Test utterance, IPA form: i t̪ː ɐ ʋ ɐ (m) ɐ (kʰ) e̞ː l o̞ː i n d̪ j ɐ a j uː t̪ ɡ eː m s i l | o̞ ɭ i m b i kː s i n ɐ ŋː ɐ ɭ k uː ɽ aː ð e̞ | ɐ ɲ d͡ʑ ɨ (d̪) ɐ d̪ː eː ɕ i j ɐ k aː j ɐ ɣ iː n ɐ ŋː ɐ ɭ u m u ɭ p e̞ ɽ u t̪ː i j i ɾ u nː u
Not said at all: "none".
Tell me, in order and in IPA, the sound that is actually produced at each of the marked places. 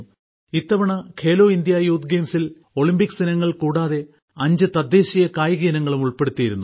ɳ, kʰ, t̪

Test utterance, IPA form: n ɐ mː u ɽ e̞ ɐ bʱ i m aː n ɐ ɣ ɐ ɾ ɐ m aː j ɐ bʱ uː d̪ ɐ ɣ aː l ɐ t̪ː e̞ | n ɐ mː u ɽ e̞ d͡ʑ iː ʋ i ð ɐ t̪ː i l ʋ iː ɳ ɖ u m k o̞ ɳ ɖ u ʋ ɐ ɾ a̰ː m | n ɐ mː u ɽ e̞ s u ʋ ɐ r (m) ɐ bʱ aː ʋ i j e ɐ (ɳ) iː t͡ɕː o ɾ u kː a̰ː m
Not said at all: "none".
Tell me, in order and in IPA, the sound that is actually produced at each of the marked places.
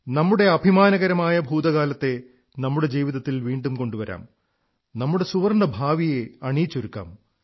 ɳ, ɳ

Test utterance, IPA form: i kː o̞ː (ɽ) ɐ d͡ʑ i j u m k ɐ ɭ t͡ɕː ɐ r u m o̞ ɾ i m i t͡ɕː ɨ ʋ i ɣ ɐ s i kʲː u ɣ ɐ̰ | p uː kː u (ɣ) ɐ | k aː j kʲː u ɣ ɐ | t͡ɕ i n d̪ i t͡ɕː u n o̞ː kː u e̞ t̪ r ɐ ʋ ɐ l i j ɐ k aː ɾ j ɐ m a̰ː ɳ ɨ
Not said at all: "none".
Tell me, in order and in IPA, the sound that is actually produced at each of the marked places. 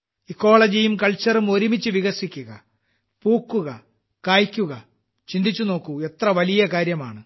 ɭ, ɣ

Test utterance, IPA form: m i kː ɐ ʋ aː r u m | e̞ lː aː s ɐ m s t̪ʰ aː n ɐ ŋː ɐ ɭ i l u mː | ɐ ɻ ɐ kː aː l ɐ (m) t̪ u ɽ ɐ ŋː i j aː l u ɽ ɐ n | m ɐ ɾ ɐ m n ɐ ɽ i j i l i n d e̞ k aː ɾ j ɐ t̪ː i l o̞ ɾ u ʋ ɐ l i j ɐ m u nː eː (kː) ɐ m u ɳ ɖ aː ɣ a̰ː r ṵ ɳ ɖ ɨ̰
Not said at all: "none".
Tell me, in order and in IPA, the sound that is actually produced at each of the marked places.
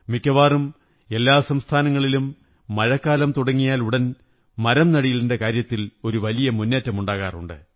m, tː

